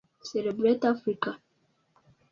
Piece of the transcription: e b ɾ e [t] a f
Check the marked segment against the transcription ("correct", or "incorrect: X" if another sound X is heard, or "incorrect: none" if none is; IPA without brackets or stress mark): correct